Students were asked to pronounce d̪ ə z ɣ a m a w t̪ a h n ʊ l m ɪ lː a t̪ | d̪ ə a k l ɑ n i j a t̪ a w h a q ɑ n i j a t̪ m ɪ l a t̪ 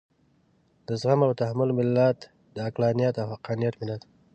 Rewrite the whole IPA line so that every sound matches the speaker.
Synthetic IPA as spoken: d̪ ə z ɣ a m a w t̪ a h m ʊ l m ɪ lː a t̪ | d̪ ə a k l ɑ n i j a t̪ a w h a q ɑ n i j a t̪ m ɪ l a t̪